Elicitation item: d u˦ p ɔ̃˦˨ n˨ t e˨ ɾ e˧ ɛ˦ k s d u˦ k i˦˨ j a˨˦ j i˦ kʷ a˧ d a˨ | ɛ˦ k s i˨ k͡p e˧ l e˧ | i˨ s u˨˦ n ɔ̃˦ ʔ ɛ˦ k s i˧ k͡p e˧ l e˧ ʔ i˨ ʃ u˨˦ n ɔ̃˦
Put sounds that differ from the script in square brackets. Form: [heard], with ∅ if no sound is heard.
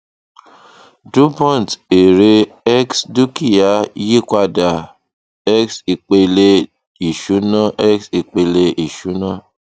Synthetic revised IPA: d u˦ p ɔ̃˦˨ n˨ t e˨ ɾ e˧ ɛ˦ k s d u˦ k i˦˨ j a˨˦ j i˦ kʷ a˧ d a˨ | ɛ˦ k s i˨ k͡p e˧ l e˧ | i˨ [ʃ] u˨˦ n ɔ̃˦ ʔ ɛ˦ k s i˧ k͡p e˧ l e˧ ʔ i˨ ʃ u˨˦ n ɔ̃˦